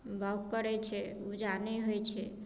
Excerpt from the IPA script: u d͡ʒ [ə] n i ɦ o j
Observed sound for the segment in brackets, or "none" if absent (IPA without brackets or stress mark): a